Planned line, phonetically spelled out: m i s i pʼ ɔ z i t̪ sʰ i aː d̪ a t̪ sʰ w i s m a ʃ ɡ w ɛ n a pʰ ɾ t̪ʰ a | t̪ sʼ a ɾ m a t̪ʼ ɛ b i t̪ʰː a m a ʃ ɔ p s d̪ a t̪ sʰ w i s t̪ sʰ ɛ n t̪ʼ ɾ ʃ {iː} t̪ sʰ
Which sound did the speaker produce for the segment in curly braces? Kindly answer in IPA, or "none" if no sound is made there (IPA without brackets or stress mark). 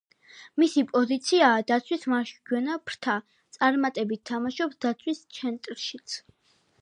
i